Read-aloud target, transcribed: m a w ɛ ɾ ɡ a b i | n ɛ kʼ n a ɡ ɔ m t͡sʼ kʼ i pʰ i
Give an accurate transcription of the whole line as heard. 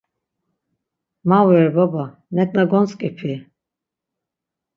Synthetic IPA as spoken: m a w ɛ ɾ b a b a | n ɛ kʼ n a ɡ ɔ n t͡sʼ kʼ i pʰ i